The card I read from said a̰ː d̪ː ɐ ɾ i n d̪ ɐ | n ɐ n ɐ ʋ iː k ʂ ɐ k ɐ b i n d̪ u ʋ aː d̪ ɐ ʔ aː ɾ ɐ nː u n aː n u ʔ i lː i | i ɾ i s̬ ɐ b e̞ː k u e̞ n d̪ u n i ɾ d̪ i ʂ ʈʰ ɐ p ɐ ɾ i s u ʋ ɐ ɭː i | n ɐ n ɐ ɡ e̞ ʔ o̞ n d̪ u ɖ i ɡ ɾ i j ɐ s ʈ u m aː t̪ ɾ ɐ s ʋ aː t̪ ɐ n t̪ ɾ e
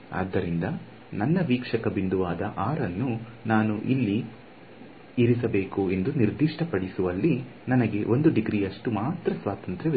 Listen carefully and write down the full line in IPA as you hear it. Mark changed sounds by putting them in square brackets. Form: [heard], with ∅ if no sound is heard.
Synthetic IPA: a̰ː d̪ː ɐ ɾ i n d̪ ɐ | n ɐ [nː] ɐ ʋ iː k ʂ ɐ k ɐ b i n d̪ u ʋ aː d̪ ɐ ʔ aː ɾ ɐ nː u n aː n u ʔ i lː i | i ɾ i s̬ ɐ b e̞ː k u e̞ n d̪ u n i ɾ d̪ i ʂ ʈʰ ɐ p ɐ [ɽ] i s u ʋ ɐ [lː] i | n ɐ n ɐ ɡ e̞ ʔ o̞ n d̪ u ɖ i ɡ ɾ i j ɐ [ʂ] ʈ u m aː t̪ ɾ ɐ s ʋ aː t̪ ɐ n t̪ ɾ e